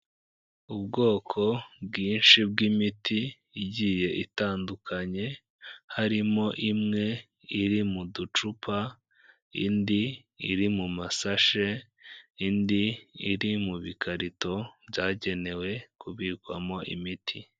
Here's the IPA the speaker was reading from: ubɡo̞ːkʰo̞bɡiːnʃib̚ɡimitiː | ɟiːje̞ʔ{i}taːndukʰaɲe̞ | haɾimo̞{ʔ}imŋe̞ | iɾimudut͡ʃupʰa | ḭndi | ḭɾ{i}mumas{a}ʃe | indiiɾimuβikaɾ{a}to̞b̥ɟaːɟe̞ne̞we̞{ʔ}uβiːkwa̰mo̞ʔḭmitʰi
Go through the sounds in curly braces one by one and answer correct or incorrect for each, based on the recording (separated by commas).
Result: correct, correct, correct, correct, incorrect, incorrect